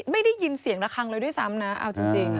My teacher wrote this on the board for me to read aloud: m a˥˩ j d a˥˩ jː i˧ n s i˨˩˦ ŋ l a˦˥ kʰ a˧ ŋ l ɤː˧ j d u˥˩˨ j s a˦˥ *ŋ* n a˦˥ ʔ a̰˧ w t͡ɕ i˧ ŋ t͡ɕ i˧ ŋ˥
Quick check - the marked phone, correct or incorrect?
incorrect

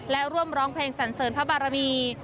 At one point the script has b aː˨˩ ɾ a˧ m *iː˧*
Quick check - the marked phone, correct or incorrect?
correct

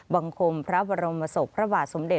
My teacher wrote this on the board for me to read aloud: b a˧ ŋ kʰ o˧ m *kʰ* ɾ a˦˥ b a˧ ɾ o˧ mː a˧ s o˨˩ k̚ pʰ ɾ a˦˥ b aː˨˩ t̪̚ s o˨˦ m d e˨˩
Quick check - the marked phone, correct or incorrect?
incorrect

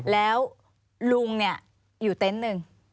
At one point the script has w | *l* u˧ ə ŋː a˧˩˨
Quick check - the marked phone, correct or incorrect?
correct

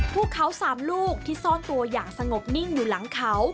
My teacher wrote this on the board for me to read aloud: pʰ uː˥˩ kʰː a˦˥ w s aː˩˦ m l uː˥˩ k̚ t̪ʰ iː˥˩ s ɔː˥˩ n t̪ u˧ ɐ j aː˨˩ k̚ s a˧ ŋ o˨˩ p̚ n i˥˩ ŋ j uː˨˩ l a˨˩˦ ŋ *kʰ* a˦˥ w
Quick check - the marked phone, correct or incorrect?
correct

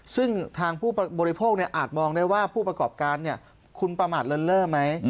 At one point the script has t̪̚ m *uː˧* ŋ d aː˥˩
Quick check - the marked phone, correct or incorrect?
incorrect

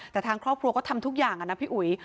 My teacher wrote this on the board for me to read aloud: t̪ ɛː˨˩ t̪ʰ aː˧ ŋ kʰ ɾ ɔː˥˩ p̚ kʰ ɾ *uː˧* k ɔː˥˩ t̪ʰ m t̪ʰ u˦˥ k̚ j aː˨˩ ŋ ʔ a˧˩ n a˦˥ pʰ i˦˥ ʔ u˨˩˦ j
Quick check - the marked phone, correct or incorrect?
incorrect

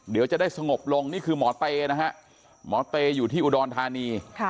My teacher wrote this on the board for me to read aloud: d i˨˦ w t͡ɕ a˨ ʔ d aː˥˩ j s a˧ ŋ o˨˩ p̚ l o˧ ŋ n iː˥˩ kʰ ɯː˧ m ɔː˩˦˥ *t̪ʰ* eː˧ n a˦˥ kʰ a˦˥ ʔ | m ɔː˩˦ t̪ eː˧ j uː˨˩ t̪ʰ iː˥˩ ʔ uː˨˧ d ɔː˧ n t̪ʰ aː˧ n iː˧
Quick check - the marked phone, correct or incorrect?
incorrect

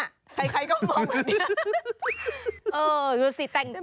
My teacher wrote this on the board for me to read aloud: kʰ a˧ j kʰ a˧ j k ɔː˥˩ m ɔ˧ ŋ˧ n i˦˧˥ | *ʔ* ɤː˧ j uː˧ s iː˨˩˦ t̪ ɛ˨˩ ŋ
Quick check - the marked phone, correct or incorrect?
correct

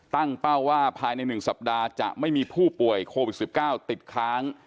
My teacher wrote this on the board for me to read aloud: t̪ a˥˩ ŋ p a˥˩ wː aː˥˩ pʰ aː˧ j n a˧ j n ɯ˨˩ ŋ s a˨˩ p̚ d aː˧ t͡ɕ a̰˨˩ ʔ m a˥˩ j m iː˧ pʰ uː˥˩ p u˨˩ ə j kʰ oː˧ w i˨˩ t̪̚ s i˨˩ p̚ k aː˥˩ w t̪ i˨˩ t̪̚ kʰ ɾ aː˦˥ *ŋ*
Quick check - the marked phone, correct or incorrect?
correct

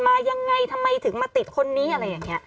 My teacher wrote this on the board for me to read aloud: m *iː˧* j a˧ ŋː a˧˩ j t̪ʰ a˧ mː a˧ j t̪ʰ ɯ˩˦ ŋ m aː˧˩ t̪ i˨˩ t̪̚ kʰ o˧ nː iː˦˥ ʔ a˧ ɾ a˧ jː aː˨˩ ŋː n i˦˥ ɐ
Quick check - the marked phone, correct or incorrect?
incorrect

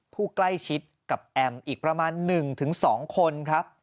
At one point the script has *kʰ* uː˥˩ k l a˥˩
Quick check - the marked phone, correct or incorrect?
incorrect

